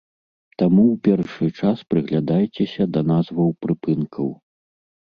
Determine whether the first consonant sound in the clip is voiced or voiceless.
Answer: voiceless